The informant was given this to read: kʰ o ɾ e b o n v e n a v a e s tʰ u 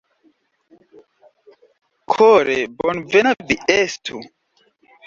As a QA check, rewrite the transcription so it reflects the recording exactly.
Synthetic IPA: kʰ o ɾ e b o n v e n a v i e s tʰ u